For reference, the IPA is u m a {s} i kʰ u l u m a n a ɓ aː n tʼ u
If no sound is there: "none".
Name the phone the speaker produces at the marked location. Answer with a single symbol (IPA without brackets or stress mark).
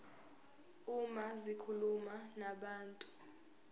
z